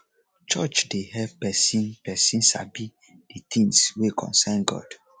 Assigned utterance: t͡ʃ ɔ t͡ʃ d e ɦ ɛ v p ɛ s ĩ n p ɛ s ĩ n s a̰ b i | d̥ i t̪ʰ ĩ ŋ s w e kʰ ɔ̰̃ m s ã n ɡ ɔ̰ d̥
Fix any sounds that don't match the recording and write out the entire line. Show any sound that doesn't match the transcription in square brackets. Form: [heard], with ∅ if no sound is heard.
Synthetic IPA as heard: t͡ʃ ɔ t͡ʃ d e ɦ ɛ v p ɛ s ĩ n p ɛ s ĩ n s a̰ b i | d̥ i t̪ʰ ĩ ŋ s w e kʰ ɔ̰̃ [n] s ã n ɡ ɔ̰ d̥